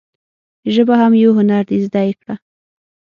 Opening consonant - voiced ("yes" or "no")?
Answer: yes